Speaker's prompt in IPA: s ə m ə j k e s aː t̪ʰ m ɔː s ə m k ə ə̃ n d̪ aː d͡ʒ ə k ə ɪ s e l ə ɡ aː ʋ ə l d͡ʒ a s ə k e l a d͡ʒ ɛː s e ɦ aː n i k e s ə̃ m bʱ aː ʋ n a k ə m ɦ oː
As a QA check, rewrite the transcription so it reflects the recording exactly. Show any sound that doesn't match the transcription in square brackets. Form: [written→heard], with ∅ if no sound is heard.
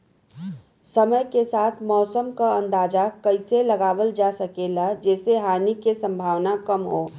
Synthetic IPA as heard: s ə m ə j k e s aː t̪ʰ m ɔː s ə m k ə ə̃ n d̪ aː d͡ʒ [ə→a] k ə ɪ s e l ə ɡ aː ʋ ə l d͡ʒ a s ə k e l a d͡ʒ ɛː s e ɦ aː n i k e s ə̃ m bʱ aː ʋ n a k ə m ɦ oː